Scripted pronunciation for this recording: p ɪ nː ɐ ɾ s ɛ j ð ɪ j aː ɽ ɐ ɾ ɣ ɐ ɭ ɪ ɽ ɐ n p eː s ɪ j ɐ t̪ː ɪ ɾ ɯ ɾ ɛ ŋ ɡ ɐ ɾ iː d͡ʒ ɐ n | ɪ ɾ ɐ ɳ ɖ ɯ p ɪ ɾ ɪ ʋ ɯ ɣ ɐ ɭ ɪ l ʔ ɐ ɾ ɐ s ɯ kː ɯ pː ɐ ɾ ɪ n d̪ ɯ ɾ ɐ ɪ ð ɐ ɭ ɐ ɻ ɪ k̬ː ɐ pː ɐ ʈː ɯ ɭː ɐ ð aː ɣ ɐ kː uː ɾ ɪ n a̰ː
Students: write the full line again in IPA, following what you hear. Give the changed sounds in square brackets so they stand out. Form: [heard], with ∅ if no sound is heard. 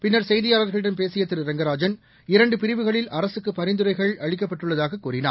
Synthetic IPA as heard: p ɪ nː ɐ ɾ s ɛ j ð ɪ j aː [l] ɐ ɾ ɣ ɐ ɭ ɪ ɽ ɐ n p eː s ɪ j ɐ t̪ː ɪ ɾ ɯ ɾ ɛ ŋ ɡ ɐ ɾ [aː] d͡ʒ ɐ n | ɪ ɾ ɐ ɳ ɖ ɯ p ɪ ɾ ɪ ʋ ɯ ɣ ɐ ɭ ɪ l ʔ ɐ ɾ ɐ s ɯ kː ɯ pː ɐ ɾ ɪ n d̪ ɯ ɾ ɐ ɪ [ɣ] ɐ ɭ ɐ ɻ ɪ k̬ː ɐ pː ɐ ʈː ɯ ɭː ɐ ð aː ɣ ɐ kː uː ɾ ɪ n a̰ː